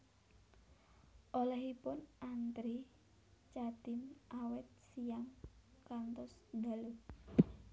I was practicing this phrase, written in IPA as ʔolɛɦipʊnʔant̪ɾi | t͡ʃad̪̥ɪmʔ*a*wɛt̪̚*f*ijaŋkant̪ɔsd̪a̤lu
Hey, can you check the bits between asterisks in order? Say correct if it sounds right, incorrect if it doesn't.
correct, incorrect: s

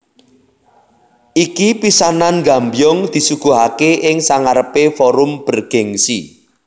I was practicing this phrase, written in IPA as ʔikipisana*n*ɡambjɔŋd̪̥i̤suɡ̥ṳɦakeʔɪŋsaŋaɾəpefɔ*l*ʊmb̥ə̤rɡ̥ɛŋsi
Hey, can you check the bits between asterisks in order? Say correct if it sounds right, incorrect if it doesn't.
correct, incorrect: ɾ

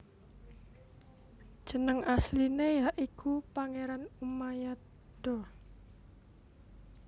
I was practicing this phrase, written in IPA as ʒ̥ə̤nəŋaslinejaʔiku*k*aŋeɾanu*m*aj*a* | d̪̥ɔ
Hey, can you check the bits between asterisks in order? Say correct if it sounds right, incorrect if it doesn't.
incorrect: p, correct, correct

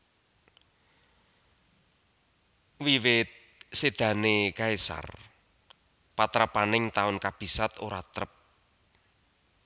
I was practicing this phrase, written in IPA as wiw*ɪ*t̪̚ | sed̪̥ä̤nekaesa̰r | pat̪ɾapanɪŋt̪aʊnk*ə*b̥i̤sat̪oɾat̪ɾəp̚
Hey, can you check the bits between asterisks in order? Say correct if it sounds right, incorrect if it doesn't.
correct, incorrect: a

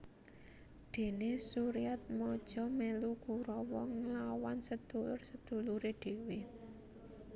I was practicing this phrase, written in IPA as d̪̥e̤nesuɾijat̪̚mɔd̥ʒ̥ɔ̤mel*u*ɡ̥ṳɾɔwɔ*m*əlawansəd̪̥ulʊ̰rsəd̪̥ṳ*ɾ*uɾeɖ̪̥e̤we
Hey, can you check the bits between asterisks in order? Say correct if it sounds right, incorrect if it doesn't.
correct, incorrect: ŋ, incorrect: l

